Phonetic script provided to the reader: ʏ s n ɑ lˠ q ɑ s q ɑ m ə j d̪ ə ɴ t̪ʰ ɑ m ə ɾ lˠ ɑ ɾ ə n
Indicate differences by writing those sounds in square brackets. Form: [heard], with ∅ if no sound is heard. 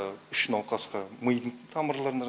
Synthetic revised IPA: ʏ [ʃ] n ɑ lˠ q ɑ s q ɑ m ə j d̪ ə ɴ t̪ʰ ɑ m ə ɾ lˠ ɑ ɾ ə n